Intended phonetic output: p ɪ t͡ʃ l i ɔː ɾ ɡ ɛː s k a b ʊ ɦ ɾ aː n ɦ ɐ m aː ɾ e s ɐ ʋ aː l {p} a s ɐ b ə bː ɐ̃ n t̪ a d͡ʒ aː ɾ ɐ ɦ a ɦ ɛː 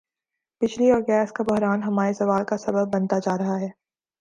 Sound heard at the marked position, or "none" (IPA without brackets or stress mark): k